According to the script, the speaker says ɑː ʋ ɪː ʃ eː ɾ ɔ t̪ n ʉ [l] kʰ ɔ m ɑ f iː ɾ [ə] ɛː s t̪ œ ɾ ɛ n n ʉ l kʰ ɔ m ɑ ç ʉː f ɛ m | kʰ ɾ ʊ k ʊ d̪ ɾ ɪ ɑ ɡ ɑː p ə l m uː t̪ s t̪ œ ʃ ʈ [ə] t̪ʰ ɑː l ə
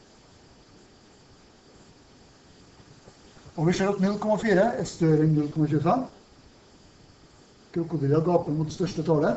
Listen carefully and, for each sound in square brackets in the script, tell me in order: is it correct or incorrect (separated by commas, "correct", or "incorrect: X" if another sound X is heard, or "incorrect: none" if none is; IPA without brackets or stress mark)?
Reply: correct, correct, correct